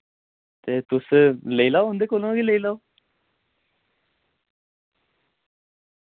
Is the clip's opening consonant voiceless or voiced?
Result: voiceless